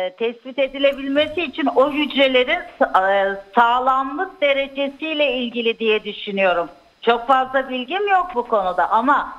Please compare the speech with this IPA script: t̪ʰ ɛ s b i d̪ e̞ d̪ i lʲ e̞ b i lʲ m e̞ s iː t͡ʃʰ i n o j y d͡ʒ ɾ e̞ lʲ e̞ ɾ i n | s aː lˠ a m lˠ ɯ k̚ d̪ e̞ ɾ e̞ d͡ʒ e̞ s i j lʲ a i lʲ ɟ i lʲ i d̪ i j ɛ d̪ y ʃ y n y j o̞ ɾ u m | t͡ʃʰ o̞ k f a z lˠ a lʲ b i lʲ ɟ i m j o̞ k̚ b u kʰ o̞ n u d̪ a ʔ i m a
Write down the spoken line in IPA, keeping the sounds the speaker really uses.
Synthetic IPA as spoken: t̪ʰ ɛ s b i t̪ e̞ d̪ i lʲ e̞ b i lʲ m e̞ s iː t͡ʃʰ i n o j y d͡ʒ ɾ e̞ lʲ e̞ ɾ i n | s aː lˠ a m lˠ ɯ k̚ d̪ e̞ ɾ e̞ d͡ʒ e̞ s i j lʲ ɛ i lʲ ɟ i lʲ i d̪ i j ɛ d̪ y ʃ y n y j o̞ ɾ u m | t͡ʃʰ o̞ k f a z lˠ a b i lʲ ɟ i m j o̞ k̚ b u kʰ o̞ n u d̪ a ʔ a m a